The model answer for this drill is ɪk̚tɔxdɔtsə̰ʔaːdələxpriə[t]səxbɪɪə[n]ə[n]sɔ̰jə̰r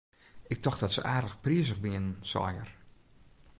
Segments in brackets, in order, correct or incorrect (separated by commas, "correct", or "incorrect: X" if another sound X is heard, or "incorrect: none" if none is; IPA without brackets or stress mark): incorrect: none, correct, correct